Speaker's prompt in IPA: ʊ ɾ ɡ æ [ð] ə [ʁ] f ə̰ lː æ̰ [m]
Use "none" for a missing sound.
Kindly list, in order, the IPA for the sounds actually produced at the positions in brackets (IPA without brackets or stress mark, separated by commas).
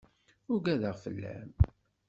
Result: ð, ʁ, m